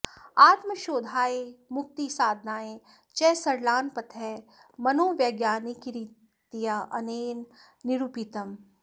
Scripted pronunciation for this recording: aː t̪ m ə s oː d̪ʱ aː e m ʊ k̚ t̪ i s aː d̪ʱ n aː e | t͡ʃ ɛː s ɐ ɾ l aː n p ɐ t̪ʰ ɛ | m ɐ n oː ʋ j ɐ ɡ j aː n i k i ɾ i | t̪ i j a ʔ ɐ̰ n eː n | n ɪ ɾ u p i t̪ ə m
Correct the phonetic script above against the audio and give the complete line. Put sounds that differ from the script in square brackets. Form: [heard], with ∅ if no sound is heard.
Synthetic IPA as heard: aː t̪ m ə [ʃ] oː d̪ʱ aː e m ʊ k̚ t̪ i s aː d̪ʱ n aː e | t͡ʃ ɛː s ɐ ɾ l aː n p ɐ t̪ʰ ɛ | m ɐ n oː ʋ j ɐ ɡ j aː n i k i ɾ i | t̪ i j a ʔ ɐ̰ n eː n | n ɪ ɾ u p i t̪ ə m